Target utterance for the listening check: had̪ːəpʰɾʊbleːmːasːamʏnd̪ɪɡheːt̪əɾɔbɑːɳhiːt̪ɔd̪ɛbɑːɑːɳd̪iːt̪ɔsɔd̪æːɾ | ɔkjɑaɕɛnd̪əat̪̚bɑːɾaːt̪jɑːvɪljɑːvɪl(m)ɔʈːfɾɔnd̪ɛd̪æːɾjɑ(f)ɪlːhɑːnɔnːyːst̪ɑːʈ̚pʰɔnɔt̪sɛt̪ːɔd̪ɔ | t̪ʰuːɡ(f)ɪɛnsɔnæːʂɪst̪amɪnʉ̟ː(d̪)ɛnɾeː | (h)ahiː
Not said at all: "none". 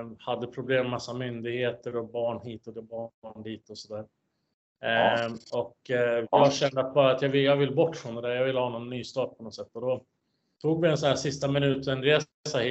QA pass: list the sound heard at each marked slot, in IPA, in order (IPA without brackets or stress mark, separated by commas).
b, v, v, t̪, s